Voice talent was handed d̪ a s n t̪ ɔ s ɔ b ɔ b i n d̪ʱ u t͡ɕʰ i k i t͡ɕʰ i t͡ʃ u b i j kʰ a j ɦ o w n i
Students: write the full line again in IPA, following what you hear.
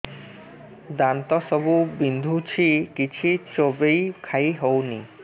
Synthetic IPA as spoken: d̪ a n t̪ ɔ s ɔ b u b i n d̪ʱ u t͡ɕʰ i k i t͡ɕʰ i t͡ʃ o b e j kʰ a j ɦ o w n i